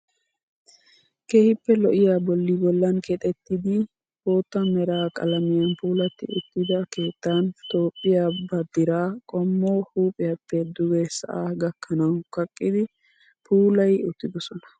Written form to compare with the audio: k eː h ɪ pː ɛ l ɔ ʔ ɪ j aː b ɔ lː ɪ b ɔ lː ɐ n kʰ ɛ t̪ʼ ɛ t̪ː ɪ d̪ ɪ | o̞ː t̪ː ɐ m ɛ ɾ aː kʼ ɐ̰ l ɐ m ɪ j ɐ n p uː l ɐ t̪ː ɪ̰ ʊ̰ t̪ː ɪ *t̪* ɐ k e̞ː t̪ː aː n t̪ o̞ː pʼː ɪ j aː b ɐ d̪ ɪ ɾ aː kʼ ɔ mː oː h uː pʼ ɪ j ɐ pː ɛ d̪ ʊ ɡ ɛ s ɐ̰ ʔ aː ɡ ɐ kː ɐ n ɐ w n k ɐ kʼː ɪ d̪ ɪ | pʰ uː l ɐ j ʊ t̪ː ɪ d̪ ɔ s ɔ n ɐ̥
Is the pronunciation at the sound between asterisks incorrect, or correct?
incorrect